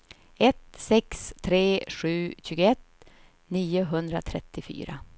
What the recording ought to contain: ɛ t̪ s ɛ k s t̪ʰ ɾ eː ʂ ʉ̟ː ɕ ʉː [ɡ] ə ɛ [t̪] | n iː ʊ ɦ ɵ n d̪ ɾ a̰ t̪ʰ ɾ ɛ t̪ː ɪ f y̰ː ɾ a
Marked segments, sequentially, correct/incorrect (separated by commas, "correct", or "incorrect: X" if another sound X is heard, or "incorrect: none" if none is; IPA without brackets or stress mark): correct, correct